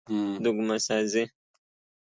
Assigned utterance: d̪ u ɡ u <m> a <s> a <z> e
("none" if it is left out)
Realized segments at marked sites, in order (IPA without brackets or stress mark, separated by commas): m, s, z